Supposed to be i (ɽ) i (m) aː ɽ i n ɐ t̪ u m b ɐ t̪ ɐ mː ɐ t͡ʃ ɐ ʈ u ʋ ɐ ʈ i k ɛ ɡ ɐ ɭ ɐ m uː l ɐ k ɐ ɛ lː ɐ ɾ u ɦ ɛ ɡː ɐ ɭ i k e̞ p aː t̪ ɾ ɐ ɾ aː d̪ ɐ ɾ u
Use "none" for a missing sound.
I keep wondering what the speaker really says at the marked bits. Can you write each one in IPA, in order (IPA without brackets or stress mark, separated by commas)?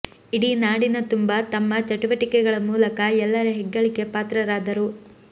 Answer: ɽ, n